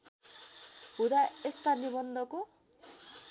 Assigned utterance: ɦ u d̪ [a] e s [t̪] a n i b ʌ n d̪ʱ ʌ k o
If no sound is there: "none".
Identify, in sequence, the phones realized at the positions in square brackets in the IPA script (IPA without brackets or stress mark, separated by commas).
a, t̪